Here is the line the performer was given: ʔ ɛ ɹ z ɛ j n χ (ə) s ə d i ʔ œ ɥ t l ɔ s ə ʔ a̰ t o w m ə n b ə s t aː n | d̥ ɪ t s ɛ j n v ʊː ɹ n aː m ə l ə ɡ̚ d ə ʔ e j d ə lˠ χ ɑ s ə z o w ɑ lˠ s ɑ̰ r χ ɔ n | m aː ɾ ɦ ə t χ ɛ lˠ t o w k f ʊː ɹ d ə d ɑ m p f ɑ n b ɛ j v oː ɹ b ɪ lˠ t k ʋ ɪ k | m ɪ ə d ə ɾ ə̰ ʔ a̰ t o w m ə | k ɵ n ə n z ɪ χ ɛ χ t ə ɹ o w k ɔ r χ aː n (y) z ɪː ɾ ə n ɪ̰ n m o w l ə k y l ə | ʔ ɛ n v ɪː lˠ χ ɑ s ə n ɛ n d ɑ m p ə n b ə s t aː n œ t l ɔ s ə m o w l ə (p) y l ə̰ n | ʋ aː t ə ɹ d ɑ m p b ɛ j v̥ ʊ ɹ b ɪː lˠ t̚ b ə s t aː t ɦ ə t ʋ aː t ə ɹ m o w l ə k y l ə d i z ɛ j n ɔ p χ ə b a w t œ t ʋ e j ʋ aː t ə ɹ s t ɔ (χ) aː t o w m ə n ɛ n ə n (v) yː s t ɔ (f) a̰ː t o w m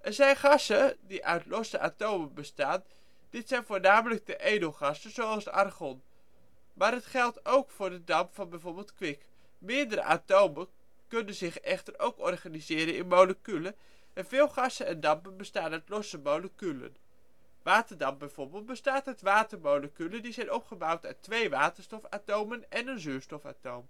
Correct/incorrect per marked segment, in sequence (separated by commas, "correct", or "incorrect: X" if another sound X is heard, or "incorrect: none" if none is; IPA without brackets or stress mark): incorrect: ɑ, incorrect: i, incorrect: k, incorrect: f, incorrect: z, correct